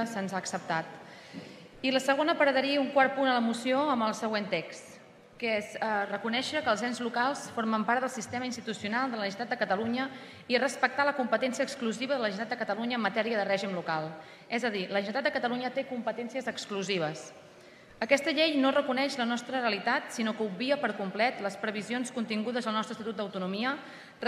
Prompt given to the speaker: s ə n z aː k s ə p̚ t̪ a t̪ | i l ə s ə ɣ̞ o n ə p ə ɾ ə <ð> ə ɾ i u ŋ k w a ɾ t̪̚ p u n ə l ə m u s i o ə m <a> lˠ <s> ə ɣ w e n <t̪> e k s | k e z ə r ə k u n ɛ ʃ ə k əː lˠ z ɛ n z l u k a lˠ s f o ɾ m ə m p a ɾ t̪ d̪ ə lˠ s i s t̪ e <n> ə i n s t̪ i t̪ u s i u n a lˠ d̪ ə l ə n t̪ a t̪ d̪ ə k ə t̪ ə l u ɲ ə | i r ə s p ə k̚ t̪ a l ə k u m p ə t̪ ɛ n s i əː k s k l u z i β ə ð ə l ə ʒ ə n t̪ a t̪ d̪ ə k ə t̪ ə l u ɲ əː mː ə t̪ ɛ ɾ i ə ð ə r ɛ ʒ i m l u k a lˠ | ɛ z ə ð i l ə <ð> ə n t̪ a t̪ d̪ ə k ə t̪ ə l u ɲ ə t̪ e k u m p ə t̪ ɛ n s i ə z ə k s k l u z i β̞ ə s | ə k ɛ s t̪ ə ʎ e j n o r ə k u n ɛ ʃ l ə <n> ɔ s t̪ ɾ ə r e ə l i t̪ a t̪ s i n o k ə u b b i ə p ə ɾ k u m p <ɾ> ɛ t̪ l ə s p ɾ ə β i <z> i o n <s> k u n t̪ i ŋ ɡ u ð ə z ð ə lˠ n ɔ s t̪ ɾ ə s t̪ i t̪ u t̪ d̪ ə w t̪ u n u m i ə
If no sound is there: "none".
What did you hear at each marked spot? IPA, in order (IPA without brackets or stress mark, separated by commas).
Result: ð, ə, s, t̪, m, ʒ, n, l, z, s